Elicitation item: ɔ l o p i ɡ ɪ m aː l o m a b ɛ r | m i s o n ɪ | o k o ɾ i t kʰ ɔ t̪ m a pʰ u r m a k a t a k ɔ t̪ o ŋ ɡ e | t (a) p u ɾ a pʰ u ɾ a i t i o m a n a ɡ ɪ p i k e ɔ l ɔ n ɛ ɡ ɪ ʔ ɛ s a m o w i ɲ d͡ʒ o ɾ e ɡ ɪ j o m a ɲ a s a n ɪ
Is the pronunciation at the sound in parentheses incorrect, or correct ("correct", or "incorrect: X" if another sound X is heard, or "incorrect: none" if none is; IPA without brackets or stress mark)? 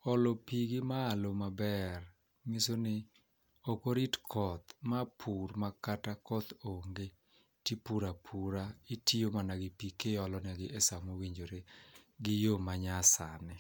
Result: incorrect: i